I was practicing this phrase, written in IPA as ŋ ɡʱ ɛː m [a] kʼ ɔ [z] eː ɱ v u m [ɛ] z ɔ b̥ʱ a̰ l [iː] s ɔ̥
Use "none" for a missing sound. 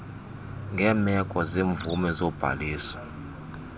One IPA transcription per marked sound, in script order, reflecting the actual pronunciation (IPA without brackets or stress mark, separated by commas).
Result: ɛ, z, ɛ, iː